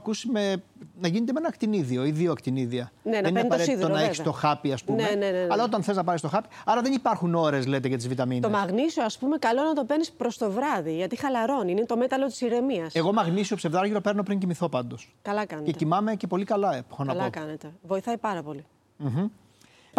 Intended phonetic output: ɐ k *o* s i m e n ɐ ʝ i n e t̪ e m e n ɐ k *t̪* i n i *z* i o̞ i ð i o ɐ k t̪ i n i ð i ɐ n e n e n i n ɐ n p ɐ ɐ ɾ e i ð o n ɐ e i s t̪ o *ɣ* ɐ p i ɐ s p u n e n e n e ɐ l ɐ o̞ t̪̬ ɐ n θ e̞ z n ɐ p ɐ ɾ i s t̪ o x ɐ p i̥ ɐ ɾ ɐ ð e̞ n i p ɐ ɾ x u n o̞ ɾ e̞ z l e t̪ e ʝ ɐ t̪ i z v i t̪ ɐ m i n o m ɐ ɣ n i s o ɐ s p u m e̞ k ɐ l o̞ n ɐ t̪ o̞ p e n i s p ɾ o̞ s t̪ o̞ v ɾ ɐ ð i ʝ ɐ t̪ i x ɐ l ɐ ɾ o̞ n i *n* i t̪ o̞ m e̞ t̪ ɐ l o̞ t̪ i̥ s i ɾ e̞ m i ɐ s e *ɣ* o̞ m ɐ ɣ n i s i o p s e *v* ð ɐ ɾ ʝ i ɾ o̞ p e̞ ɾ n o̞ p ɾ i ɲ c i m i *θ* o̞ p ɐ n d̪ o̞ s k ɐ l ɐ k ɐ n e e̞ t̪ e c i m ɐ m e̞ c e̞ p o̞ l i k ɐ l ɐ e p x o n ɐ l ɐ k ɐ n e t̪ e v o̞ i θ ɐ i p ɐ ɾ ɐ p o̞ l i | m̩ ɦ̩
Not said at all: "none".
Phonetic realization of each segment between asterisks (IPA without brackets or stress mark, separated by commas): u, t̪, ð, x, n, ɣ, v, θ